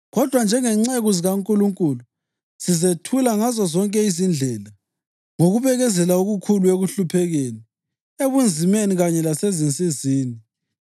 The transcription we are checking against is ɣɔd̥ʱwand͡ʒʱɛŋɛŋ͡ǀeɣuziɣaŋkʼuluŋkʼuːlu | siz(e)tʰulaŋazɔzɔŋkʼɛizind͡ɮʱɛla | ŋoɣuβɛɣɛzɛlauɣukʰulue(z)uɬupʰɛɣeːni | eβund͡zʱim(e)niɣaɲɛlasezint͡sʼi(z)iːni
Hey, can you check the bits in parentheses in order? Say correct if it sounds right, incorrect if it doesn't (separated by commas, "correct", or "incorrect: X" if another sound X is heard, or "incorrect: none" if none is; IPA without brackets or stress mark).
correct, incorrect: ɣ, correct, correct